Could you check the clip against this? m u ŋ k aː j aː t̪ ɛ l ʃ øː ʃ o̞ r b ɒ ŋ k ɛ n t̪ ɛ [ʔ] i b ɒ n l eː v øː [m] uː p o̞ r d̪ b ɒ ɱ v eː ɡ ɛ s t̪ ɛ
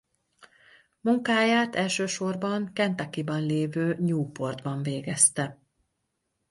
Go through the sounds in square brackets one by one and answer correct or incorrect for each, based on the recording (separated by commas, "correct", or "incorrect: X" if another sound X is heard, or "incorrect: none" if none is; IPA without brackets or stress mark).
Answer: incorrect: k, incorrect: ɲ